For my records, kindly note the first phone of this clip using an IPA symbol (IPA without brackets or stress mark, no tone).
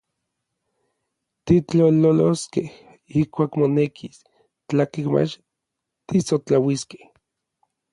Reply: t̪